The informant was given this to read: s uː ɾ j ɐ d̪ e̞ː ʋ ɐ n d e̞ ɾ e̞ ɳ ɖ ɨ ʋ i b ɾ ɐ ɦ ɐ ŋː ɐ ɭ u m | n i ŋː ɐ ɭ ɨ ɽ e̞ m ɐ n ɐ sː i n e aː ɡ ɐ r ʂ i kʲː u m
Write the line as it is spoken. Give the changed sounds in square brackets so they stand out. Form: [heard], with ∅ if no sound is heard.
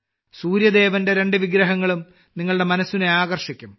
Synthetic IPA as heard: s uː ɾ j ɐ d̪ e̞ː ʋ ɐ n d e̞ ɾ e̞ ɳ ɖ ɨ ʋ i [ɡ] ɾ ɐ ɦ ɐ ŋː ɐ ɭ u m | n i ŋː ɐ ɭ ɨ ɽ e̞ m ɐ n ɐ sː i n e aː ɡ ɐ r ʂ i kʲː u m